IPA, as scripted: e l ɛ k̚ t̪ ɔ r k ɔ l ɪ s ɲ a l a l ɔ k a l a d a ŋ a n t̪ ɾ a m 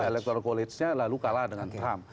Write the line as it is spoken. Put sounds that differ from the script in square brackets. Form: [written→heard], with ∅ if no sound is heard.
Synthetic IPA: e l ɛ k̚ t̪ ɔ r k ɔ l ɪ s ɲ a l a l [ɔ→u] k a l a d [a→ə] ŋ a n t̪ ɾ a m